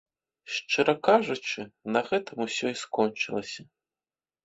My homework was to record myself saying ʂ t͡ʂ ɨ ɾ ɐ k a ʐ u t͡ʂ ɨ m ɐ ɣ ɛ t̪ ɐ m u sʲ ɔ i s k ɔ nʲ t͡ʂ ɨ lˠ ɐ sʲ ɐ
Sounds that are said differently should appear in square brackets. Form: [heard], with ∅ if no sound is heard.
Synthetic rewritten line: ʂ t͡ʂ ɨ ɾ ɐ k a ʐ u t͡ʂ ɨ [n] ɐ ɣ ɛ t̪ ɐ m u sʲ ɔ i s k ɔ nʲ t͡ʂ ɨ lˠ ɐ sʲ ɐ